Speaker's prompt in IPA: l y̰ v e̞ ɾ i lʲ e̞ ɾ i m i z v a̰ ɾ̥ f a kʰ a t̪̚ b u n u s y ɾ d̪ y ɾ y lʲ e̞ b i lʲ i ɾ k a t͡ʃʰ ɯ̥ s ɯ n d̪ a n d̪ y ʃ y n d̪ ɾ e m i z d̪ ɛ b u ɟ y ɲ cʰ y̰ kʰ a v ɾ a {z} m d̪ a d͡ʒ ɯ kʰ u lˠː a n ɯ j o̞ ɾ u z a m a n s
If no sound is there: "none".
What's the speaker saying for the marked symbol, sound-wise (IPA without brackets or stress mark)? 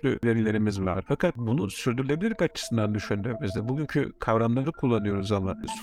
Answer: none